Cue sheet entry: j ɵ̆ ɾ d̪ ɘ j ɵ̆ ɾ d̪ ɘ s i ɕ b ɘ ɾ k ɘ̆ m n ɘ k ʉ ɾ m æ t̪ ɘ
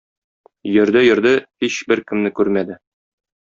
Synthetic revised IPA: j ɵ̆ ɾ d̪ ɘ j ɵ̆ ɾ d̪ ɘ h i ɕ b ɘ ɾ k ɘ̆ m n ɘ k ʉ ɾ m æ d̪ ɘ

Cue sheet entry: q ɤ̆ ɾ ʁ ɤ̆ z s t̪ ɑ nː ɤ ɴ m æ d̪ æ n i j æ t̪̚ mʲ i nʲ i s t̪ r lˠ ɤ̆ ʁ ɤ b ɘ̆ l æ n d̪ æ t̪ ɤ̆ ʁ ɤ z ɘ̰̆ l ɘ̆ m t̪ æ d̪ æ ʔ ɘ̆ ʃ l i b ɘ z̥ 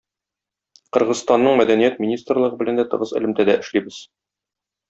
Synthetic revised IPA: q ɤ̆ ɾ ʁ ɤ̆ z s t̪ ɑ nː ɤ ɴ m æ d̪ æ n i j æ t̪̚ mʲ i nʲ i s t̪ r lˠ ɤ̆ ʁ ɤ b ɘ̆ l æ n d̪ æ t̪ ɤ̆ ʁ ɤ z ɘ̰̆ l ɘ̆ m t̪ æ d̪ æ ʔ ɘ̆ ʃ l i b ɘ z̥

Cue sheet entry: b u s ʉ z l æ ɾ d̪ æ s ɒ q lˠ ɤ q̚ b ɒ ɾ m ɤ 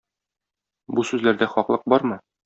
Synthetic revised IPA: b u s ʉ z l æ ɾ d̪ æ χ ɒ q lˠ ɤ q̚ b ɒ ɾ m ɤ

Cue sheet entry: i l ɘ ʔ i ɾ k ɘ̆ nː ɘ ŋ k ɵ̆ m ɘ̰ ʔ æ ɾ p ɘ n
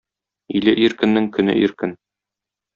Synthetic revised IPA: i l ɘ ʔ i ɾ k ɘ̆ nː ɘ ŋ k ɵ̆ n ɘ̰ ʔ i ɾ k ɘ n

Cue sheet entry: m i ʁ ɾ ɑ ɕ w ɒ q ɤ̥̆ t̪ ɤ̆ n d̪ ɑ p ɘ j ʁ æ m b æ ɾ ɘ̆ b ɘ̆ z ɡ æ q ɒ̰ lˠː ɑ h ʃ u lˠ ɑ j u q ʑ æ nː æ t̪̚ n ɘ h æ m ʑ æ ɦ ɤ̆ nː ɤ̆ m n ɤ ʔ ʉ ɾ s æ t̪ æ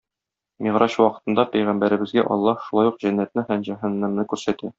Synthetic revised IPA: m i ʁ ɾ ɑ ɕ w ɒ q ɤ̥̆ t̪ ɤ̆ n d̪ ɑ p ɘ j ʁ æ m b æ ɾ ɘ̆ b ɘ̆ z ɡ æ ʔ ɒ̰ lˠː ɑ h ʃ u lˠ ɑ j u q ʑ æ nː æ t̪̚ n ɘ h æ m ʑ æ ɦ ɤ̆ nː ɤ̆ m n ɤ k ʉ ɾ s æ t̪ æ

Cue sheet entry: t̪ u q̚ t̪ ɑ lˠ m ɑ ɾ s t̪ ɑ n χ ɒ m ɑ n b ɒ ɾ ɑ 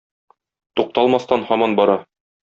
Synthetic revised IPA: t̪ u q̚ t̪ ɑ lˠ m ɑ s t̪ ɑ n h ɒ m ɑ n b ɒ ɾ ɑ

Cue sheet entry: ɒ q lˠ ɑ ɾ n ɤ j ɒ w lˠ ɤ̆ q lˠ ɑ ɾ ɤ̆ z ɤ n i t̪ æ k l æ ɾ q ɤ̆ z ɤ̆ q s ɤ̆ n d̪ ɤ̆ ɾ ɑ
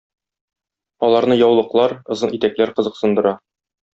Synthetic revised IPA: ɒ lˠ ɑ ɾ n ɤ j ɒ w lˠ ɤ̆ q lˠ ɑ ɾ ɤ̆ z ɤ n i t̪ æ k l æ ɾ q ɤ̆ z ɤ̆ q s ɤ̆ n d̪ ɤ̆ ɾ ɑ

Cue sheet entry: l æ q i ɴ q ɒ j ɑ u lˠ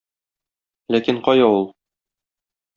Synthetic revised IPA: l æ k i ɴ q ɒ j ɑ u lˠ

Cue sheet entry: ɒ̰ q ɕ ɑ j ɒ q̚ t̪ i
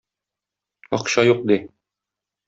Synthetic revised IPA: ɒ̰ q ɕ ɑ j u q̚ d̪ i

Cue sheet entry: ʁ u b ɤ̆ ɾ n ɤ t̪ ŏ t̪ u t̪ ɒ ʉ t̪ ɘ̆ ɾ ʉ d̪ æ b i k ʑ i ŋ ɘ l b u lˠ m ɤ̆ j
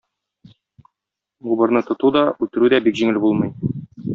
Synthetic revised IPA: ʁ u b ɤ̆ ɾ n ɤ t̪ ŏ t̪ u d̪ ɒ ʉ t̪ ɘ̆ ɾ ʉ d̪ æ b i k ʑ i ŋ ɘ l b u lˠ m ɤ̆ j

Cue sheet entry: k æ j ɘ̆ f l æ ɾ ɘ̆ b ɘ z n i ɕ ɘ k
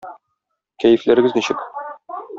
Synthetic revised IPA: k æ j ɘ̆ f l æ ɾ ɘ̆ ɡ ɘ z n i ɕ ɘ k

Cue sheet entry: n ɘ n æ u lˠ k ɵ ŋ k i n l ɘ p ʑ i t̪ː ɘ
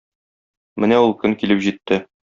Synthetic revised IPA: m ɘ n æ u lˠ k ɵ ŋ k i l ɘ p ʑ i t̪ː ɘ

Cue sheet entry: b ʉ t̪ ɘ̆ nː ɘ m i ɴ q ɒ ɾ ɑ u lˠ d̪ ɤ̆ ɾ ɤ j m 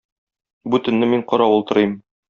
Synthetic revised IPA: b ʉ t̪ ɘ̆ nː ɘ m i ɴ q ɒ ɾ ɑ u lˠ t̪ ɤ̆ ɾ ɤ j m

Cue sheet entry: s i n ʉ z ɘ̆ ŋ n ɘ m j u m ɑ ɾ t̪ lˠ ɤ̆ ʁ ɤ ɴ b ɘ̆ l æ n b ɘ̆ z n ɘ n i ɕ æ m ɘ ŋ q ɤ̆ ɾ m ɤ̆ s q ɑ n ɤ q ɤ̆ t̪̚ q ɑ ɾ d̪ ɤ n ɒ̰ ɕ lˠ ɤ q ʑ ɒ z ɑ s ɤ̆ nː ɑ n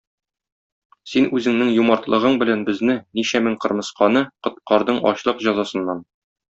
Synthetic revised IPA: s i n ʉ z ɘ̆ ŋ n ɘ ŋ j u m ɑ ɾ t̪ lˠ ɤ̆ ʁ ɤ ɴ b ɘ̆ l æ n b ɘ̆ z n ɘ n i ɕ æ m ɘ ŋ q ɤ̆ ɾ m ɤ̆ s q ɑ n ɤ q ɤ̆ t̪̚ q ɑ ɾ d̪ ɤ ɴ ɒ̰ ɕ lˠ ɤ q ʑ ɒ z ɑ s ɤ̆ nː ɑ n

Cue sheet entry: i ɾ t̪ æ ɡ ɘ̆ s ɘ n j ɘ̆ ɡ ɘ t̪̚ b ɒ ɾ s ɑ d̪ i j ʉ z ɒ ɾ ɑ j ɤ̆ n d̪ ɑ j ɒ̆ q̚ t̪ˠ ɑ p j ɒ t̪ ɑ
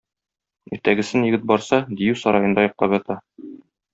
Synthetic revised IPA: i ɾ t̪ æ ɡ ɘ̆ s ɘ n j ɘ̆ ɡ ɘ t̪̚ b ɒ ɾ s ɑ d̪ i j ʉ s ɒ ɾ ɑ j ɤ̆ n d̪ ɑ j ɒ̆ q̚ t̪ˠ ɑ p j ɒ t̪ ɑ

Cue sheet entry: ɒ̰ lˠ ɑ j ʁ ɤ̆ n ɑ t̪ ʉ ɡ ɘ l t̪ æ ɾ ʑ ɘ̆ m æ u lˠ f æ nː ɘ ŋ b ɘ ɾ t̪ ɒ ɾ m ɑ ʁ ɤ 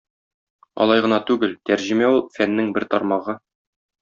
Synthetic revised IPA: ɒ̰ lˠ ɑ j ʁ ɤ̆ n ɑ t̪ ʉ ɡ ɘ l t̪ æ ɾ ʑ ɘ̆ m æ u lˠ f æ nː ɘ ŋ b ɘ ɾ t̪ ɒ ɾ m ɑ ʁ ɤ

